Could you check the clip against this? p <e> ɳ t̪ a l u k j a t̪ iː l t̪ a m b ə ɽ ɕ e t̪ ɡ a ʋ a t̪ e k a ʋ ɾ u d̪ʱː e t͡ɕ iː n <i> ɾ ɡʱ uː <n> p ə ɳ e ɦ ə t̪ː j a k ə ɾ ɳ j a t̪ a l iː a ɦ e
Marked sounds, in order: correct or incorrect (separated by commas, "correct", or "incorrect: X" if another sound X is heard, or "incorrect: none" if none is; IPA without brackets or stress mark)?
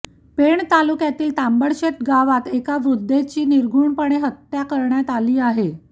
correct, correct, incorrect: ɳ